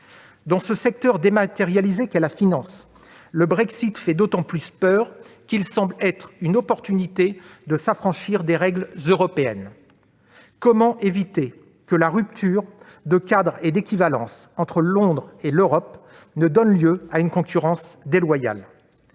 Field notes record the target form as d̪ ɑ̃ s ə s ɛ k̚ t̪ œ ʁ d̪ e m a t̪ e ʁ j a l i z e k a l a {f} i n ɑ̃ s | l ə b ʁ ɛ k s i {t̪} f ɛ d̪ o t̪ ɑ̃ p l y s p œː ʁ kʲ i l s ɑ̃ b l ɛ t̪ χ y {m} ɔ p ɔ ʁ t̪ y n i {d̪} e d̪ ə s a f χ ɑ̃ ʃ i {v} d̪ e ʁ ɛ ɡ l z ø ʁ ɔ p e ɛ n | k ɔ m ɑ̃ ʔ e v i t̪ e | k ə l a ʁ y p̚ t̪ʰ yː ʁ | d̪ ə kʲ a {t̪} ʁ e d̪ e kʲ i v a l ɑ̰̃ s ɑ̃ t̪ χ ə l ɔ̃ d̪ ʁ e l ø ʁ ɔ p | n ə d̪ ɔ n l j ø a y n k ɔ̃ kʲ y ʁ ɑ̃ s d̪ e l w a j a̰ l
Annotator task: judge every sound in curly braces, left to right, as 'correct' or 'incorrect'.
correct, correct, incorrect: n, incorrect: t̪, incorrect: ʁ, incorrect: d̪

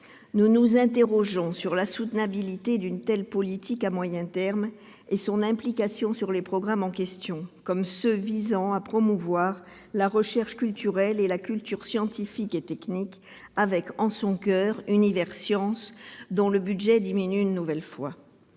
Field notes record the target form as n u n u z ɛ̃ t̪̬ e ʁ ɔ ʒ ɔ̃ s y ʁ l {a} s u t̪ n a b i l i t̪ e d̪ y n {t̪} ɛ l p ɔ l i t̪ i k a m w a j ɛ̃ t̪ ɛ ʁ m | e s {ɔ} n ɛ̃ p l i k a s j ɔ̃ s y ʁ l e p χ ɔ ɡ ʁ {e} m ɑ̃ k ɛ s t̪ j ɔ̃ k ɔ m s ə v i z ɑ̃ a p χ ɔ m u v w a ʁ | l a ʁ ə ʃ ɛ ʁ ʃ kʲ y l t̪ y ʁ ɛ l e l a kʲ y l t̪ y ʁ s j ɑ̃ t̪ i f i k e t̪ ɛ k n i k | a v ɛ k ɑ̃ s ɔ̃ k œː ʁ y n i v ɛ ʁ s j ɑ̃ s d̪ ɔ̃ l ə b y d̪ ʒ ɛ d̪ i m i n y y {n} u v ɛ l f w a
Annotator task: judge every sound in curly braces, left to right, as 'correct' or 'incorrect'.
correct, correct, incorrect: ɔ̃, incorrect: a, incorrect: nː

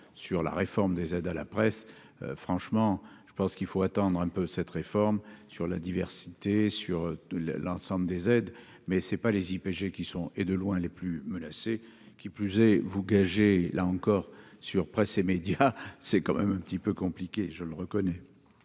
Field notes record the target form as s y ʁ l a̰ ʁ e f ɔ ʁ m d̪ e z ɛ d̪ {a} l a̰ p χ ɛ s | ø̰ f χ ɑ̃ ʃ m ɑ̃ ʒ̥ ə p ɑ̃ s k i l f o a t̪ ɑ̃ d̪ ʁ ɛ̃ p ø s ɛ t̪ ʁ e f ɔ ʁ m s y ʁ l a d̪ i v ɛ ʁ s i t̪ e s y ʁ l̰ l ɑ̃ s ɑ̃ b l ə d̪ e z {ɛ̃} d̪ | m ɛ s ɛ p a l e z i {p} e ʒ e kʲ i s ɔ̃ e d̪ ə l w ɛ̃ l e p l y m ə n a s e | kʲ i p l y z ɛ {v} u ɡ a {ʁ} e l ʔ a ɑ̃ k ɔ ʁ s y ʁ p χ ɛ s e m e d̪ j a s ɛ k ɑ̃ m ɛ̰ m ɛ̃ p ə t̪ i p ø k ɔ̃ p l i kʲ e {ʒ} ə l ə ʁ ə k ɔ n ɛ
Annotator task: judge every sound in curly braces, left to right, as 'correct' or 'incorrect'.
correct, incorrect: ɛ, correct, correct, incorrect: ʒ, correct

